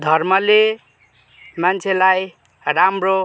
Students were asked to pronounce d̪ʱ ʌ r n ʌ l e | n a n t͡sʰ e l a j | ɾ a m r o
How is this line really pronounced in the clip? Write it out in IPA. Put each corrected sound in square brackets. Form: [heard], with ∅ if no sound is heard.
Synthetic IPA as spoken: d̪ʱ ʌ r [m] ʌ l e | [m] a n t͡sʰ e l a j | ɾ a m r o